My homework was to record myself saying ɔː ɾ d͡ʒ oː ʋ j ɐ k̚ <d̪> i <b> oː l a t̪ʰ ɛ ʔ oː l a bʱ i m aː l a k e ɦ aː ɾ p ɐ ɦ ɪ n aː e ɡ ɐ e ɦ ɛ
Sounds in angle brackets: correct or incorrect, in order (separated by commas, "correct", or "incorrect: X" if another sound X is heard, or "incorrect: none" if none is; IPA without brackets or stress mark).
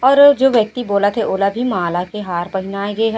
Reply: incorrect: t̪, correct